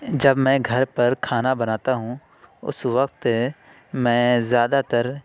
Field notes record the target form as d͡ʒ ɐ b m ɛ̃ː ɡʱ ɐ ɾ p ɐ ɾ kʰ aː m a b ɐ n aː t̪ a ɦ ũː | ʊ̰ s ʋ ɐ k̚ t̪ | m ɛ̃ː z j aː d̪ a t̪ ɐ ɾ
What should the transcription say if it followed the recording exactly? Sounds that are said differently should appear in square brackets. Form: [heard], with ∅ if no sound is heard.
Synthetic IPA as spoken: d͡ʒ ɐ b m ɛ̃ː ɡʱ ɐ ɾ p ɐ ɾ kʰ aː [n] a b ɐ n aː t̪ a ɦ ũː | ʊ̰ s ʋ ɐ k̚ t̪ | m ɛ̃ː z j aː d̪ a t̪ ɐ ɾ